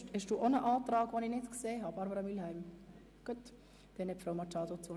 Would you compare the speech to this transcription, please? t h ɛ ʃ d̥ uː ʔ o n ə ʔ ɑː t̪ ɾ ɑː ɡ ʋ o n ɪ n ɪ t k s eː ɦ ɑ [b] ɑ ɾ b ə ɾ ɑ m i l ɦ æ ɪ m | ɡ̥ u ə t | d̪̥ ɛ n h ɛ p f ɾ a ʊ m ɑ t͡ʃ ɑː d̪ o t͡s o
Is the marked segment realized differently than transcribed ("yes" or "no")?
no